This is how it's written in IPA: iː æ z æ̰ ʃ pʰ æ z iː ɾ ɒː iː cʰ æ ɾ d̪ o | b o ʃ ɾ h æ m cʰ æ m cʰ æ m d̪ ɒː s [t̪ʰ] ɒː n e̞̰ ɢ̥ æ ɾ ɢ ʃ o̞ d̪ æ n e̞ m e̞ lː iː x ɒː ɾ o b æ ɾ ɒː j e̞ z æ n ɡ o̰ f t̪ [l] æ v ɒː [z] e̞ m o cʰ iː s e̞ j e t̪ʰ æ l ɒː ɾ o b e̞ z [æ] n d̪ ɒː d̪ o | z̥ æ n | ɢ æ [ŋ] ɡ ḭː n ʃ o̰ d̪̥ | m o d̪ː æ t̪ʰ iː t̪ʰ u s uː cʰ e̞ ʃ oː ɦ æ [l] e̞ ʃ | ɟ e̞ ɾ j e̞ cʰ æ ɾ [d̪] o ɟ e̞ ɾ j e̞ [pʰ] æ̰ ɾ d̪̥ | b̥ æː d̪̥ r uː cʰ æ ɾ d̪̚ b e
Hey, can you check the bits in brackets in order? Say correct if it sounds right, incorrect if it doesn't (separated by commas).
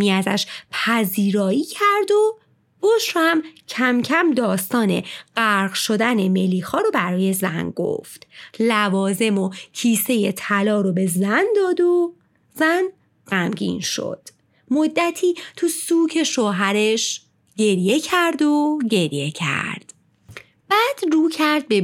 incorrect, correct, correct, correct, incorrect, incorrect, correct, incorrect